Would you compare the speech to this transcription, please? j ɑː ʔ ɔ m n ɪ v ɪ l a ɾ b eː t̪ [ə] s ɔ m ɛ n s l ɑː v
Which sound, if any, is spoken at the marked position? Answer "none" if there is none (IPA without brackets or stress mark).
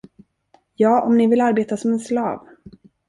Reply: a